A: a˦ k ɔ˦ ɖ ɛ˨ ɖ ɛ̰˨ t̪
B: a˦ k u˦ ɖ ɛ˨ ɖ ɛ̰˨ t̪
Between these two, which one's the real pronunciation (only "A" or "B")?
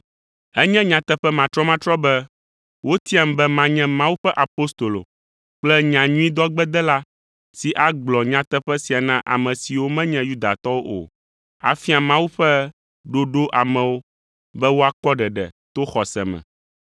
A